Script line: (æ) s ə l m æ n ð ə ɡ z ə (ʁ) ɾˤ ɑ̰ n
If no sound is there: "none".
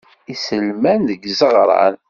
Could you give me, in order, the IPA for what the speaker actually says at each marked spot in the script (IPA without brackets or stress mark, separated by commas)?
i, ʁ